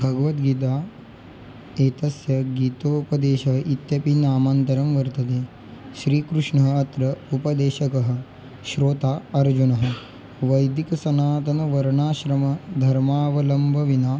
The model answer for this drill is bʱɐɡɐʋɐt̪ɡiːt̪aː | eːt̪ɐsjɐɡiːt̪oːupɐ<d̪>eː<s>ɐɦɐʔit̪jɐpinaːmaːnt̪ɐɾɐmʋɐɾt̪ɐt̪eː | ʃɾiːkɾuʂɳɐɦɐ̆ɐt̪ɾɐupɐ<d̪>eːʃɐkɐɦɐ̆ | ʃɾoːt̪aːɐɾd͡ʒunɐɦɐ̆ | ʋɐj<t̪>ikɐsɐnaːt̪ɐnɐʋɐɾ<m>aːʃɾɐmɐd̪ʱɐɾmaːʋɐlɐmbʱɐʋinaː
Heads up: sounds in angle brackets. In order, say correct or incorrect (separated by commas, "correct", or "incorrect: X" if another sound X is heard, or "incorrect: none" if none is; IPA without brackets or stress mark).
correct, incorrect: ʃ, correct, incorrect: d̪, incorrect: ɳ